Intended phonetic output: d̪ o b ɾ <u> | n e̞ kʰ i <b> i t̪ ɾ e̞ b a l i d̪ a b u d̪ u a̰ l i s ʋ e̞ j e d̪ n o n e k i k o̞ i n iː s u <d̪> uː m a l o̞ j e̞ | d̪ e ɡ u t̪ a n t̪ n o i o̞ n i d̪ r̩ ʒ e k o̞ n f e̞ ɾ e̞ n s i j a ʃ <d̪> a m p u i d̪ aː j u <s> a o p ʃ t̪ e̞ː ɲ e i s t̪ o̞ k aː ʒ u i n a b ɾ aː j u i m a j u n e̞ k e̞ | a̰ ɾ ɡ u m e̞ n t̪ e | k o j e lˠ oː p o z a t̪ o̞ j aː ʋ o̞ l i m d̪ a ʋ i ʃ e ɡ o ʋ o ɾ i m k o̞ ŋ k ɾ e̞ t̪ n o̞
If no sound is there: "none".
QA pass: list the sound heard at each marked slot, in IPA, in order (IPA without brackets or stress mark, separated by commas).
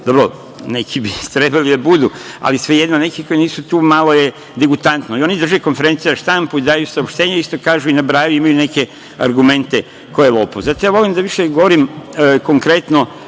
o, b, t̪, t̪, s